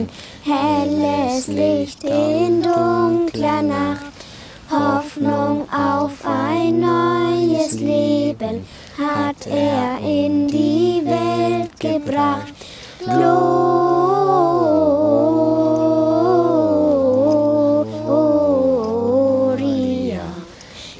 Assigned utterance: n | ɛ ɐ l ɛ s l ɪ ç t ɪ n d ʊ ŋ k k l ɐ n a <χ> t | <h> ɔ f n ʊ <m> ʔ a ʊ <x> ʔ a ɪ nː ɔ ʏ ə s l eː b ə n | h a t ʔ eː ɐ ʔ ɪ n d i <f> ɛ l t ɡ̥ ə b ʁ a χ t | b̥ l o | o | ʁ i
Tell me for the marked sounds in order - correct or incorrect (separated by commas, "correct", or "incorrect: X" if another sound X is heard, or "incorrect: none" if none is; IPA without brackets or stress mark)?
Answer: correct, correct, incorrect: ŋ, incorrect: f, incorrect: v